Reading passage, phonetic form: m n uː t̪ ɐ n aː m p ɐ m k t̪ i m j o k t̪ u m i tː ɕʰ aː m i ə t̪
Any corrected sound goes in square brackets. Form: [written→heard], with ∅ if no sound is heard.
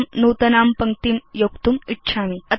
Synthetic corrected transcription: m n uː t̪ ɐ n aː m p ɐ [m→ŋ] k t̪ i m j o k t̪ u m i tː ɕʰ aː m i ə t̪